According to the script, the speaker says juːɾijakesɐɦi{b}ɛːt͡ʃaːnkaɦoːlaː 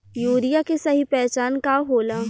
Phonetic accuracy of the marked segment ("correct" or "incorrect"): incorrect